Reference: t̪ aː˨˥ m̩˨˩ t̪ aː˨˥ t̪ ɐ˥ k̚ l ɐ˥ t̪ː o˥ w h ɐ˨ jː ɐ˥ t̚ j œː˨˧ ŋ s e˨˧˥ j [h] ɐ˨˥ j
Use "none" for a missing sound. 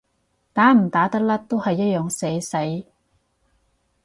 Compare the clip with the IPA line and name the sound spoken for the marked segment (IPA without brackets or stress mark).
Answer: s